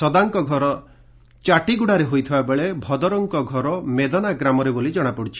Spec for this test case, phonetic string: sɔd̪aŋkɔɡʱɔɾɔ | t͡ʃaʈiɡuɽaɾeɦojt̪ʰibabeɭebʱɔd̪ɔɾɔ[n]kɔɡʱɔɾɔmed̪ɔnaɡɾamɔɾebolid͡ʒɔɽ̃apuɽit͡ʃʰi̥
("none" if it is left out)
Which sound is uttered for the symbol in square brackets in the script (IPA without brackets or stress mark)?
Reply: ŋ